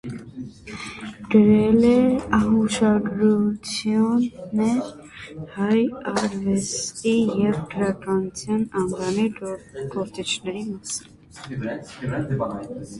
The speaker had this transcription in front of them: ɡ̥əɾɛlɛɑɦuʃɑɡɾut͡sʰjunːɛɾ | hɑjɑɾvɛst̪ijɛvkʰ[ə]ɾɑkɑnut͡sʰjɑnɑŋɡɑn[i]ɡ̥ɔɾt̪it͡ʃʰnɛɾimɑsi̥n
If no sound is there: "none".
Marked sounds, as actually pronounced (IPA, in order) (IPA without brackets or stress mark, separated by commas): ə, i